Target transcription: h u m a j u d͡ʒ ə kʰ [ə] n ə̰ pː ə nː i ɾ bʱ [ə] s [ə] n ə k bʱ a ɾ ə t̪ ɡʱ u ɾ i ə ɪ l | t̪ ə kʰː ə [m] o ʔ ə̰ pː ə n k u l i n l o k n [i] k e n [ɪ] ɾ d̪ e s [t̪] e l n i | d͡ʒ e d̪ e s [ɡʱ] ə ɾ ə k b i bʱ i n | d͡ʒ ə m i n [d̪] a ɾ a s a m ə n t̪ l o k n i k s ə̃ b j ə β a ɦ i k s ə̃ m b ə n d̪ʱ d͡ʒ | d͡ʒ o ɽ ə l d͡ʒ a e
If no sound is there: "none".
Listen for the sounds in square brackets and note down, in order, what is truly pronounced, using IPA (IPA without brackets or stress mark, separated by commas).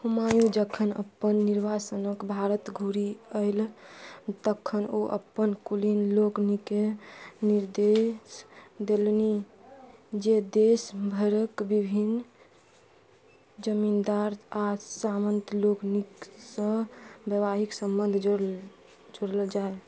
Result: ə, a, ə, n, i, i, d̪, bʱ, d̪